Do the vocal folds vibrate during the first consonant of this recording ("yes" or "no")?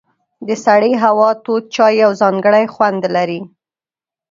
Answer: yes